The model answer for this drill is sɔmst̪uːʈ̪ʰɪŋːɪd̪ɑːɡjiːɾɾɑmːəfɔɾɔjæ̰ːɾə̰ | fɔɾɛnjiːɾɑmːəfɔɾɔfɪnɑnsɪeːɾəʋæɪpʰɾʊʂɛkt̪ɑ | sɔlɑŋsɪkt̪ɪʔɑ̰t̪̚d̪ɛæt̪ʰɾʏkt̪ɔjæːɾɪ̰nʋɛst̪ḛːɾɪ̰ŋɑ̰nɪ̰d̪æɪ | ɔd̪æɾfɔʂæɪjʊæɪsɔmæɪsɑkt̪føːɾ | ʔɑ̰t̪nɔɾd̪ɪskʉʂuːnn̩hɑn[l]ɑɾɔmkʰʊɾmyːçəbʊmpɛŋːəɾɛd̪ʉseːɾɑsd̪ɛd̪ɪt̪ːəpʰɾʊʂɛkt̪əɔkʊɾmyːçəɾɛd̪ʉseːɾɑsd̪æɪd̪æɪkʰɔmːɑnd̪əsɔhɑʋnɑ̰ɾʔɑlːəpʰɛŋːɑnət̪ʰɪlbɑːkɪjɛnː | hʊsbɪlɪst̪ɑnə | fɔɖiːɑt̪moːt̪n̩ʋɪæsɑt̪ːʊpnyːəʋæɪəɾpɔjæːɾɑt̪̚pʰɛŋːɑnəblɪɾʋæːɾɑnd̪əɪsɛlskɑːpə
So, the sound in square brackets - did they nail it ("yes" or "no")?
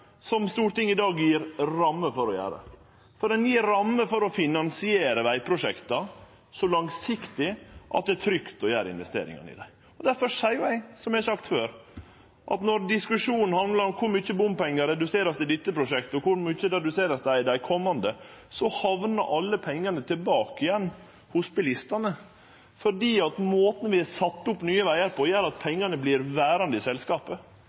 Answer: yes